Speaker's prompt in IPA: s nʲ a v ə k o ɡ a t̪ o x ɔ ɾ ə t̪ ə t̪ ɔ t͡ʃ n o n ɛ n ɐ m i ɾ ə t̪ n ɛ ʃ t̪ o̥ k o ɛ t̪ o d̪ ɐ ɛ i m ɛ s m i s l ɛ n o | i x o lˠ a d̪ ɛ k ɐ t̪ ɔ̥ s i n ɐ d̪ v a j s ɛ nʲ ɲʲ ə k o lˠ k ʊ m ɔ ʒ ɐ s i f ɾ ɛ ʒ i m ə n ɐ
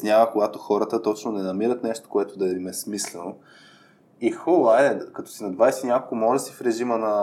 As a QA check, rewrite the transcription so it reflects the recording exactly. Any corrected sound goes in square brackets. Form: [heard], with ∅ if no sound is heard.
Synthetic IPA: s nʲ a v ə k o ɡ a t̪ o x ɔ ɾ ə t̪ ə t̪ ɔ t͡ʃ n o n ɛ n ɐ m i ɾ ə t̪ n ɛ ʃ t̪ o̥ k o ɛ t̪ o d̪ ɐ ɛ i m ɛ s m i s l ɛ n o | i x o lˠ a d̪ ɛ k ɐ t̪ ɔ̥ s i n ɐ d̪ v a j s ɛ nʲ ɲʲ [a] k o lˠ k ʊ m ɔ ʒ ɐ s i f ɾ ɛ ʒ i m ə n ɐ